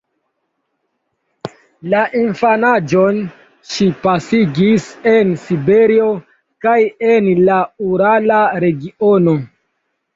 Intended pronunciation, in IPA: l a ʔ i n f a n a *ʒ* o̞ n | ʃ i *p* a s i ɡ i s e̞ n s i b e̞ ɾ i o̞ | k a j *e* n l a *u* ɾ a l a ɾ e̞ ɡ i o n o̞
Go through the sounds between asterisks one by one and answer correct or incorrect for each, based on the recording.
incorrect, correct, correct, correct

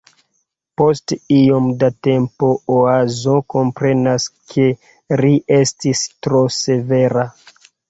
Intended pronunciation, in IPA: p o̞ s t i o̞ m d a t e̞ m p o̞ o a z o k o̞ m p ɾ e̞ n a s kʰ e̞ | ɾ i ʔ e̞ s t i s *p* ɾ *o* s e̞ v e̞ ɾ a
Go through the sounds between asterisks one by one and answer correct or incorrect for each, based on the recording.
incorrect, correct

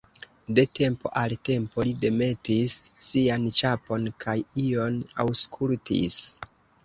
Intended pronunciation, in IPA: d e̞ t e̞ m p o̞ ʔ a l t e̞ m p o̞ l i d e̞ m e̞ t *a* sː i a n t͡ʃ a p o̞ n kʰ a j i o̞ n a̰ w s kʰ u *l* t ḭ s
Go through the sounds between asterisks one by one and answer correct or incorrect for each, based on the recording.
incorrect, correct

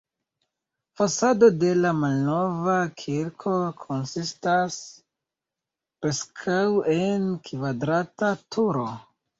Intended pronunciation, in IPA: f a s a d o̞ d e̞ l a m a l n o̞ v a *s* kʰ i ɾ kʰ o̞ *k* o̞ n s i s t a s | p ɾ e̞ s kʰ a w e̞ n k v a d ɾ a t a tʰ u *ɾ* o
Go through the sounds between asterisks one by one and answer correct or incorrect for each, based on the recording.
incorrect, incorrect, correct

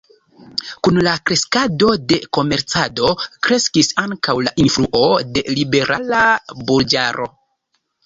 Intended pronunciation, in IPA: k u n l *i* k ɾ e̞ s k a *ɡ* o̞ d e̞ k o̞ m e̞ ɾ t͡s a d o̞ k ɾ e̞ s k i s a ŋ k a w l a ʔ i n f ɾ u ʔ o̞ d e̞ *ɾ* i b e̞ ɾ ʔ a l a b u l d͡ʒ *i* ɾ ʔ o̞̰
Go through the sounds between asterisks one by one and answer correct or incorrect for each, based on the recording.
incorrect, incorrect, incorrect, incorrect

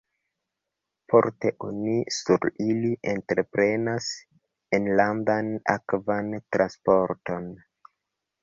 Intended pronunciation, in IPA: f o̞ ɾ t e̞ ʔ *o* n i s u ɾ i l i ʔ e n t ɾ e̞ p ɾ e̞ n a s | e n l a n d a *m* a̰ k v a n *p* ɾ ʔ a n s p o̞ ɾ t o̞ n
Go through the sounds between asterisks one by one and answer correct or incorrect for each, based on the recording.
correct, incorrect, incorrect

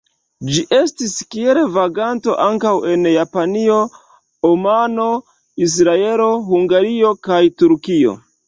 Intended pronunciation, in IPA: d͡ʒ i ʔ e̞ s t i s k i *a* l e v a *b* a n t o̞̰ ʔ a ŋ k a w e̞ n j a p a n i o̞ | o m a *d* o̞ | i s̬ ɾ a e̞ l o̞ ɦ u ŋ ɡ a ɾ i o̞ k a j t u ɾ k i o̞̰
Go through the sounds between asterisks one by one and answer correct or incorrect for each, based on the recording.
incorrect, incorrect, incorrect

